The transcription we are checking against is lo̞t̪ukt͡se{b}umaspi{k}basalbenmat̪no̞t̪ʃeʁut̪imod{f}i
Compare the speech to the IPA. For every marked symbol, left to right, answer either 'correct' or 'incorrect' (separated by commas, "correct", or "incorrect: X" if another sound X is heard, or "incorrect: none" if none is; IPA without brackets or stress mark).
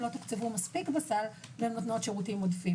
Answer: incorrect: v, correct, correct